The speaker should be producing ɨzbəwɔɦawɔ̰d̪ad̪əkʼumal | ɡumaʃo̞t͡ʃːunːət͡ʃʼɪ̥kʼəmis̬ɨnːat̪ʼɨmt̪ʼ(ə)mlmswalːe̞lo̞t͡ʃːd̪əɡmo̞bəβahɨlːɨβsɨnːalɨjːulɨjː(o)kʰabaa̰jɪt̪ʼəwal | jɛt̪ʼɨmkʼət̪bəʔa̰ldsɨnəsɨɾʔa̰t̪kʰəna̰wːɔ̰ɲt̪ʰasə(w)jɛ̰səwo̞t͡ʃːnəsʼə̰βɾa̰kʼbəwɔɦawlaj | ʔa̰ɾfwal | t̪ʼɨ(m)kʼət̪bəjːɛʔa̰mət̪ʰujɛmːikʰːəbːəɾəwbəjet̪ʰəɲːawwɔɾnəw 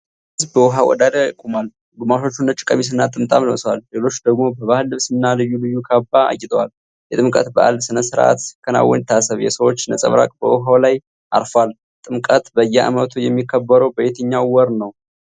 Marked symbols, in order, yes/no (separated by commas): no, no, no, yes